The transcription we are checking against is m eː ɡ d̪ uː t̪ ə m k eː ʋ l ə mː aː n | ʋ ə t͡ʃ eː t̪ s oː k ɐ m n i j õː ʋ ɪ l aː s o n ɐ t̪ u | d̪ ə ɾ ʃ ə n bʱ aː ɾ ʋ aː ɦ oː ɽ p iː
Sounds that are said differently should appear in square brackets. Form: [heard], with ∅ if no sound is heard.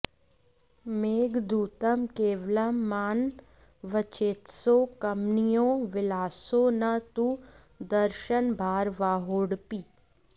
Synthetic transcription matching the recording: m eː ɡ d̪ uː t̪ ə m k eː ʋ l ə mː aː n | ʋ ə t͡ʃ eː t̪ s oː k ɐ m n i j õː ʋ ɪ l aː s o n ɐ t̪ u | d̪ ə ɾ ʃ ə n bʱ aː ɾ ʋ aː ɦ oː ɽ p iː

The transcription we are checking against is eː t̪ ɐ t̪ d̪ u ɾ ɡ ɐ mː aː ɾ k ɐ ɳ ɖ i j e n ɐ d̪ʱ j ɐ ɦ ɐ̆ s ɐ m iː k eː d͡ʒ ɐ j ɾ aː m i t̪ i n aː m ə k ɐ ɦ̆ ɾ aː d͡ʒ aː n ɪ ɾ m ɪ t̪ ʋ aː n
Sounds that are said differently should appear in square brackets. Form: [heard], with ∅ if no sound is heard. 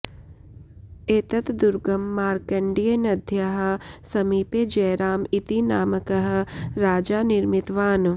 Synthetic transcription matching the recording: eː t̪ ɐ t̪ d̪ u ɾ ɡ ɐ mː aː ɾ k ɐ ɳ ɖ i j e n ɐ d̪ʱ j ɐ ɦ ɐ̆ s ɐ m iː [p] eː d͡ʒ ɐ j ɾ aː m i t̪ i n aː m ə k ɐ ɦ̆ ɾ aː d͡ʒ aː n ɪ ɾ m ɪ t̪ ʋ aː n

